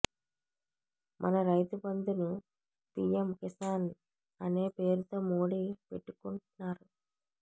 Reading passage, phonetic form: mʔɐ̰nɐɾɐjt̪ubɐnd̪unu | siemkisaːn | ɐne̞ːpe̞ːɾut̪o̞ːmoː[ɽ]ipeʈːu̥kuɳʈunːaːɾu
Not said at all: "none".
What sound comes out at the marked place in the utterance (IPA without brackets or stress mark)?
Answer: ɽ